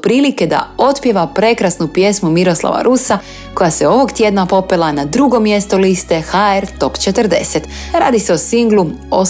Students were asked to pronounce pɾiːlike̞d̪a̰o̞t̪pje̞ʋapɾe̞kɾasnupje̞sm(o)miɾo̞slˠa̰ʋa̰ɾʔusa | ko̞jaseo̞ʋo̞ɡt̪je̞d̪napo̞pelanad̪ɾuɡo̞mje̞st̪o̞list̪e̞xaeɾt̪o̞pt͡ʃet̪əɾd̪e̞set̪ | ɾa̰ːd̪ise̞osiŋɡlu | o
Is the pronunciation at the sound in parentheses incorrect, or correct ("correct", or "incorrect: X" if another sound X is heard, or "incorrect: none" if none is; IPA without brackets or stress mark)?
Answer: incorrect: u